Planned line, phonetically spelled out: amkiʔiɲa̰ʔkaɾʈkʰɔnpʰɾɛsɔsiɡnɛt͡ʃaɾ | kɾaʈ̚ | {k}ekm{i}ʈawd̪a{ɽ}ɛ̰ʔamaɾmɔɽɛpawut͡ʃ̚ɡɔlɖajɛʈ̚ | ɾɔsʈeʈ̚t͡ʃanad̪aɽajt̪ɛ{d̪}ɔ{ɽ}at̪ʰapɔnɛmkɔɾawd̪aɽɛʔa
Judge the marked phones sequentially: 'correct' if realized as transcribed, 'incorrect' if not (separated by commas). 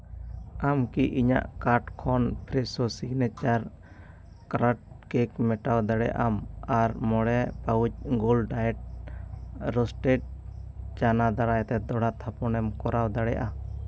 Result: correct, incorrect, correct, correct, correct